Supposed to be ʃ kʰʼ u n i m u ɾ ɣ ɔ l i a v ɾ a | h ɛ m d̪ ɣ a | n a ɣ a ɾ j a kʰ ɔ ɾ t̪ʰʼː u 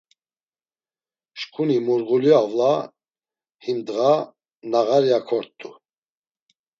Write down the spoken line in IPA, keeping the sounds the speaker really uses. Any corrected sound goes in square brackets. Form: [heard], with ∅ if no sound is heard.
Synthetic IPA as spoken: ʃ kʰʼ u n i m u ɾ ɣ [u] l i a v [l] a | h [i] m d̪ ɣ a | n a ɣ a ɾ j a kʰ ɔ ɾ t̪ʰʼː u